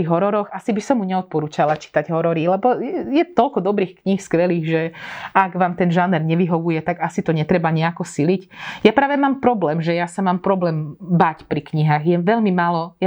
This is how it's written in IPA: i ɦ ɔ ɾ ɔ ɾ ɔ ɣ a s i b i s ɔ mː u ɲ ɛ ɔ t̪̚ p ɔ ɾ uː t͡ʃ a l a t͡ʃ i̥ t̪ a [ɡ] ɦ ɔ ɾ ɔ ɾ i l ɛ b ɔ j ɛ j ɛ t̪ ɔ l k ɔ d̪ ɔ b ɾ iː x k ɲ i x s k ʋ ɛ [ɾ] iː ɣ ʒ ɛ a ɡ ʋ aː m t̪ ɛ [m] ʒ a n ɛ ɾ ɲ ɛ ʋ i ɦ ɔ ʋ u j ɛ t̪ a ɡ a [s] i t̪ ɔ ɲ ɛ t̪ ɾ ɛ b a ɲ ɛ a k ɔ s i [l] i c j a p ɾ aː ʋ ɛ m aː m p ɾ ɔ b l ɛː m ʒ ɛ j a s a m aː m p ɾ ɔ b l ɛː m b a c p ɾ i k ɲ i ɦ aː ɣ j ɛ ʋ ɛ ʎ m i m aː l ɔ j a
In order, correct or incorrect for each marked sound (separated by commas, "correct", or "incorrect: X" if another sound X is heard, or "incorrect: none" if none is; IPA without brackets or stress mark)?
incorrect: ɟ, incorrect: l, incorrect: n, correct, correct